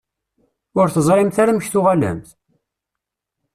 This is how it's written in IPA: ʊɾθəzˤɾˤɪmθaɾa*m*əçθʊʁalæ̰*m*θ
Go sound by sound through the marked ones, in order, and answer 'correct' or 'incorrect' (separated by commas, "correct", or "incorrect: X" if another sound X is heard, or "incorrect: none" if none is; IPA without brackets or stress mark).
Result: correct, correct